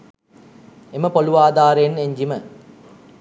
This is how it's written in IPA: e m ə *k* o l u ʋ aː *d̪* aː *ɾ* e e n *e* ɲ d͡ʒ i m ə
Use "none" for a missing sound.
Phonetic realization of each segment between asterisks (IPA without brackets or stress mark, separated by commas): p, d̪, ɾ, e